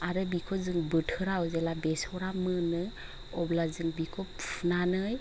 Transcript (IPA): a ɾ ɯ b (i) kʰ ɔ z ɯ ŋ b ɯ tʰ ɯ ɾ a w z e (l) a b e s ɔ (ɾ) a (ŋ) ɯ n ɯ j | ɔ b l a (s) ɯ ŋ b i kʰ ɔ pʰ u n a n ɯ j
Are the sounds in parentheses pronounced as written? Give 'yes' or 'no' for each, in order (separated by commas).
yes, yes, yes, no, no